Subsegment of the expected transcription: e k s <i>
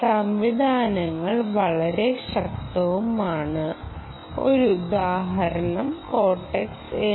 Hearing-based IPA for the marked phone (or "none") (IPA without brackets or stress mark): e